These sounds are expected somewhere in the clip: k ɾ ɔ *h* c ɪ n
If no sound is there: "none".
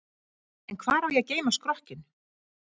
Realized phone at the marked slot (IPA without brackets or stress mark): h